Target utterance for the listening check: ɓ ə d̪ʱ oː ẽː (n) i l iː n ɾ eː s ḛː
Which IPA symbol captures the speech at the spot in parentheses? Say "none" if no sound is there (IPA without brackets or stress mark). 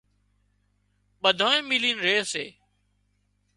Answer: m